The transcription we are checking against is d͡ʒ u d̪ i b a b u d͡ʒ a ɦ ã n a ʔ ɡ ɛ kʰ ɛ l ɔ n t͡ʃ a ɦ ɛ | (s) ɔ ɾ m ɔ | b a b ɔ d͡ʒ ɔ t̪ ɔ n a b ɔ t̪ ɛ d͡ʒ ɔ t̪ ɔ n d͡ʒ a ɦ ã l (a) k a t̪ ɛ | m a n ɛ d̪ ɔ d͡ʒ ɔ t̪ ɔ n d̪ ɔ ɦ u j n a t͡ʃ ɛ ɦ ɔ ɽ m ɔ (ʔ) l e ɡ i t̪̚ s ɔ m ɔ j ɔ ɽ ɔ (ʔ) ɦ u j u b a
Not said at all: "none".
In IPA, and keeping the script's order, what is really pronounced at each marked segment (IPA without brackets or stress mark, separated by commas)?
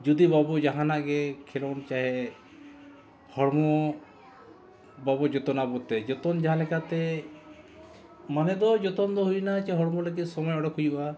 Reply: h, ɛ, none, k